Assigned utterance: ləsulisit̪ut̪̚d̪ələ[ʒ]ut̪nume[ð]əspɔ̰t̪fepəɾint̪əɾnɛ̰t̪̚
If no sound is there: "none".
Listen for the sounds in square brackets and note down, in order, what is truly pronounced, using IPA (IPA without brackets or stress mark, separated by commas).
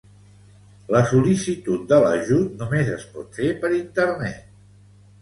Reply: ʒ, z